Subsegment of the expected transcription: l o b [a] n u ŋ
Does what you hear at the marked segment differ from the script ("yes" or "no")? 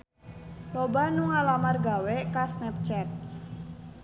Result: no